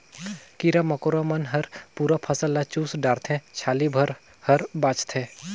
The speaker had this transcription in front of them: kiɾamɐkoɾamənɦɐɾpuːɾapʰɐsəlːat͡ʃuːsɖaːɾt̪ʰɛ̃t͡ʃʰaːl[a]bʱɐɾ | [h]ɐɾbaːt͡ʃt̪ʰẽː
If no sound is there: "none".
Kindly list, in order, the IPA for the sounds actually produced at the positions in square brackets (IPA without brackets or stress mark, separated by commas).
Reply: i, h